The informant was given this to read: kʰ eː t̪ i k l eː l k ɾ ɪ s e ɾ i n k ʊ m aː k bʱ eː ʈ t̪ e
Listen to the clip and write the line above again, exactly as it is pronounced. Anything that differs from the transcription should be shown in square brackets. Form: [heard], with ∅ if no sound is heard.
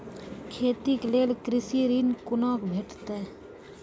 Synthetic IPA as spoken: kʰ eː t̪ i k l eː l k ɾ ɪ s [i] ɾ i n k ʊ [n] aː k bʱ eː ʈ t̪ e